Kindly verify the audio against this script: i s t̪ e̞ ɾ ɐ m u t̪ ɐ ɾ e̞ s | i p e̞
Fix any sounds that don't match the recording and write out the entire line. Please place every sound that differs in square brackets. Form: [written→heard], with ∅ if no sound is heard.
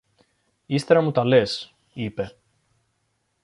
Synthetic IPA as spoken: i s t̪ e̞ ɾ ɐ m u t̪ ɐ [ɾ→l] e̞ s | i p e̞